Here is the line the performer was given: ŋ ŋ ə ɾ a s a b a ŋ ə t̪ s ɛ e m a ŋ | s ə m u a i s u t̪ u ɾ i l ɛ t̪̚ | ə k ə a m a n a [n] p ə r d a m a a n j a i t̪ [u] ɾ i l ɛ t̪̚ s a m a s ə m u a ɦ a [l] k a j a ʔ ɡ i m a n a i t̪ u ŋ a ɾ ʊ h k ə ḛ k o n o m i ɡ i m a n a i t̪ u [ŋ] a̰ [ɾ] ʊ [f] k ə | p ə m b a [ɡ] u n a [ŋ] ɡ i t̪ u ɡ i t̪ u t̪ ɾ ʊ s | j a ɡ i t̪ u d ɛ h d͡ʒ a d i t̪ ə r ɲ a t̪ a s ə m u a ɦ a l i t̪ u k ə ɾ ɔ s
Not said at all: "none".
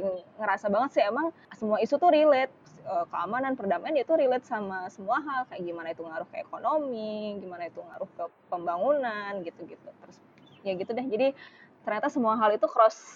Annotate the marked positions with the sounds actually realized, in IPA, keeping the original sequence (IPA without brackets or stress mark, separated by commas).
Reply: n, u, l, ŋ, ɾ, h, ŋ, n